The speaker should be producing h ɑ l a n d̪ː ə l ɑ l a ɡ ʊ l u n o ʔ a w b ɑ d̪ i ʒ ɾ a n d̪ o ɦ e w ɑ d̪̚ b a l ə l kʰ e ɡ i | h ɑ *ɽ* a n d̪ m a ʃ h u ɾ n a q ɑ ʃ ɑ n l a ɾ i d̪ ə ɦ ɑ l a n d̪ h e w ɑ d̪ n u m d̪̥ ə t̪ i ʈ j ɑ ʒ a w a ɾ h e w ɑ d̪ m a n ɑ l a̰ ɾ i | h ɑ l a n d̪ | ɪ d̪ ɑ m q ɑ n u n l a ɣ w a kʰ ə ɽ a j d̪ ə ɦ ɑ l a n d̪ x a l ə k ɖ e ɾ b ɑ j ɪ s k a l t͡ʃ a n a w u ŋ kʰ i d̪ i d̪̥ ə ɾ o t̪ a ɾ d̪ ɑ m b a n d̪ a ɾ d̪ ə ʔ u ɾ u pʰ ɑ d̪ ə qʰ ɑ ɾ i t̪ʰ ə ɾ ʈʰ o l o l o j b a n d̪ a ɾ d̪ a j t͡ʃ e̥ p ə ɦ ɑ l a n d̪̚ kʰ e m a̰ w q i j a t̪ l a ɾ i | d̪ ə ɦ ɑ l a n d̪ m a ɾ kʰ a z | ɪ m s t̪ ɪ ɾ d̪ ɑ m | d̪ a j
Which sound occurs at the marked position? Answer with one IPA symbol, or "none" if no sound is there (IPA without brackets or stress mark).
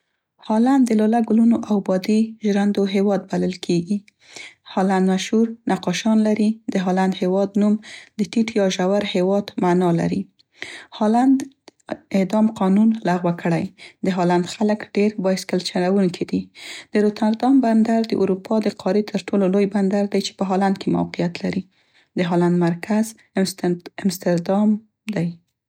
l